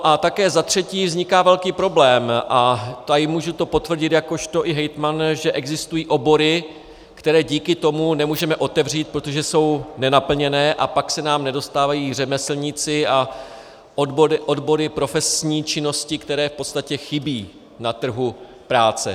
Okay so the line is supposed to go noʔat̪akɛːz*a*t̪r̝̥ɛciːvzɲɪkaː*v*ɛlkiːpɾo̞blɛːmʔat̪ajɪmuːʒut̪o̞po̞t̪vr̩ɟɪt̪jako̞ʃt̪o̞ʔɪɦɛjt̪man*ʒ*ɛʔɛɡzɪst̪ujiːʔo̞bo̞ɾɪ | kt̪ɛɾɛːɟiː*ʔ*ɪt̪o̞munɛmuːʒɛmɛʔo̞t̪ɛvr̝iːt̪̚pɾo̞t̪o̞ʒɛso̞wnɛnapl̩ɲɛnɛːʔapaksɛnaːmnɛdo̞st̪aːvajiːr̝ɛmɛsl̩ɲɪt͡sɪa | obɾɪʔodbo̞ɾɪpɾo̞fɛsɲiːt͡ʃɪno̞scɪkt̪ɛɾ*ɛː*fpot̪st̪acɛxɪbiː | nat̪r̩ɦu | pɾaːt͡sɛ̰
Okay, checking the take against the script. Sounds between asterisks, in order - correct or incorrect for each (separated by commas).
correct, correct, correct, incorrect, correct